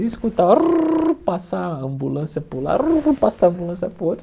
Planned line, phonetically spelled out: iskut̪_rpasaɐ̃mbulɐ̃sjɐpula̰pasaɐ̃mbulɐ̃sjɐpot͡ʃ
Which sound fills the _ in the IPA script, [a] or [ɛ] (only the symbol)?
a